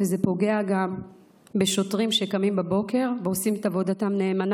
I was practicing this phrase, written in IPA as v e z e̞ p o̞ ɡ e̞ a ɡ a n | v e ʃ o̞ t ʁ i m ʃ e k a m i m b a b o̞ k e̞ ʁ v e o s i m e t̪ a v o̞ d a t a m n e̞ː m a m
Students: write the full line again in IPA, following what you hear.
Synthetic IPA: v e z e̞ p o̞ ɡ e̞ a ɡ a m | b e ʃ o̞ t ʁ i m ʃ e k a m i m b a b o̞ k e̞ ʁ v e o s i m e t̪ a v o̞ d a t a m n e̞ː m a n